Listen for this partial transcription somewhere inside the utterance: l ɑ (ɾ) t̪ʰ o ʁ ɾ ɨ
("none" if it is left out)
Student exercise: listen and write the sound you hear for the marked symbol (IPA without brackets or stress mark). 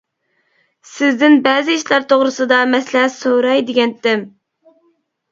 ɾ